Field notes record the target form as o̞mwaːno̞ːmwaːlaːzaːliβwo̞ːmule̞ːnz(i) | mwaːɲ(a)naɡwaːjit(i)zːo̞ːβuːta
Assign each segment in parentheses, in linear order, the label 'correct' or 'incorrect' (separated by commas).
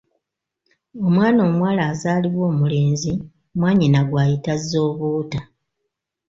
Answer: correct, incorrect, incorrect